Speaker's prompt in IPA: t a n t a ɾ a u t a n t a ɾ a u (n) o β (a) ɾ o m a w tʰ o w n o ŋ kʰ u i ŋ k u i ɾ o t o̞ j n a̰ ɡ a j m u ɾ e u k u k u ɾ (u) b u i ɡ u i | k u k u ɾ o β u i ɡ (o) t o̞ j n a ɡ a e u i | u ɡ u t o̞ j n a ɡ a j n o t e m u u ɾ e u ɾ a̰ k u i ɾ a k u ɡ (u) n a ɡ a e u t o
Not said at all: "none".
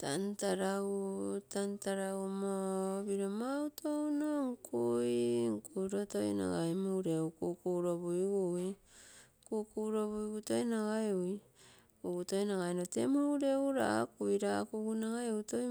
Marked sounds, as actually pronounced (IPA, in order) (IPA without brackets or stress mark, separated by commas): m, i, o, u, u